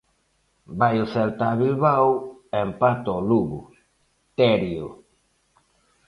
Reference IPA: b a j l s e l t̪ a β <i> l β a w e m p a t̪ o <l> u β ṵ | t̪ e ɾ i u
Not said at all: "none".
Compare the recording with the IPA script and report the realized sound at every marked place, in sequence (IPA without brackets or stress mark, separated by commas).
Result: i, l